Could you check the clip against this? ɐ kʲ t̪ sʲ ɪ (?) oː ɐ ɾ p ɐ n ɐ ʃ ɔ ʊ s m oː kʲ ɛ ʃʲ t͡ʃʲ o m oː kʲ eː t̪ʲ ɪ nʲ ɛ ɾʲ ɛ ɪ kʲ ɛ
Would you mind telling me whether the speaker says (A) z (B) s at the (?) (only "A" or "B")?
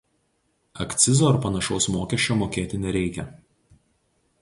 A